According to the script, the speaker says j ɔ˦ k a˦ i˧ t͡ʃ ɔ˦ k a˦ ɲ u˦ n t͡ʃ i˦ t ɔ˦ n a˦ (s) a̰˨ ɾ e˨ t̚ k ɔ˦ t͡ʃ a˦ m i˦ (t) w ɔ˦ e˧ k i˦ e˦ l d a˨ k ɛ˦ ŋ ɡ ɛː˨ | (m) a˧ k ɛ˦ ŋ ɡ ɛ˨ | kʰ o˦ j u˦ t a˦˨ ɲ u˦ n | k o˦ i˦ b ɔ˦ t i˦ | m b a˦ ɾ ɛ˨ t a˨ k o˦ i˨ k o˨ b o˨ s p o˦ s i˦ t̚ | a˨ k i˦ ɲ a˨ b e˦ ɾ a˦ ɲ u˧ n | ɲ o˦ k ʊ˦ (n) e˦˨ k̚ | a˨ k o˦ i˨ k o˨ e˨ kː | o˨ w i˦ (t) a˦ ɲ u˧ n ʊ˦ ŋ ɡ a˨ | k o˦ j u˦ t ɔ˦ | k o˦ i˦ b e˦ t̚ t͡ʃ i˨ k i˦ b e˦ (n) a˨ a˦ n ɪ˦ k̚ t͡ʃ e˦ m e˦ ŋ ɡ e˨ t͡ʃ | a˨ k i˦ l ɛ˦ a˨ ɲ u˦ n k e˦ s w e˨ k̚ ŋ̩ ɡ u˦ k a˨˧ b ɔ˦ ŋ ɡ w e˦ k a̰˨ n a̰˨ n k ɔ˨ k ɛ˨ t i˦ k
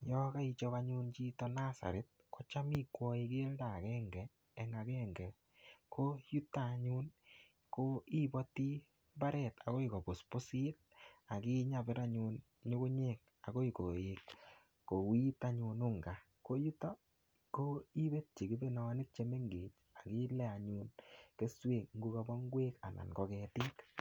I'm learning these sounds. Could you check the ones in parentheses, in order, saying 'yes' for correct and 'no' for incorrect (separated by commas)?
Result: yes, no, no, no, yes, yes